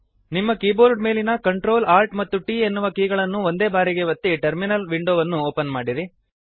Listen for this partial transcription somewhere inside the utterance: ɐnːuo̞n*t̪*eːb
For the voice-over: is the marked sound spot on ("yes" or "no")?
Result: no